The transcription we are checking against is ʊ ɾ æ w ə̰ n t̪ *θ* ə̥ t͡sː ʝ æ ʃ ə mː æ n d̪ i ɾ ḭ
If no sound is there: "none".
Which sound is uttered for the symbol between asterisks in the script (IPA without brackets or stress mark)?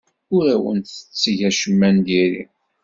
θ